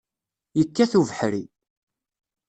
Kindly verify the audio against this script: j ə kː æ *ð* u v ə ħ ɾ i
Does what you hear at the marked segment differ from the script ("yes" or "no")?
yes